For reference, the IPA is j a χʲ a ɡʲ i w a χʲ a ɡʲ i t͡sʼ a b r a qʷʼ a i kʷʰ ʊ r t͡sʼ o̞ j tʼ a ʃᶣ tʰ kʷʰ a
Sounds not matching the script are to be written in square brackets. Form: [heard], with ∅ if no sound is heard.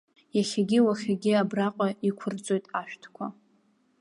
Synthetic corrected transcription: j a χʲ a ɡʲ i w a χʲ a ɡʲ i [∅] a b r a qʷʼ a i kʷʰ ʊ r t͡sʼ o̞ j tʼ a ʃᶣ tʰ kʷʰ a